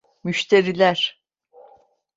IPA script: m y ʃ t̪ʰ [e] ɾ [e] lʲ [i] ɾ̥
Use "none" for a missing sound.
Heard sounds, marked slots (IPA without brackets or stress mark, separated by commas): e, i, æ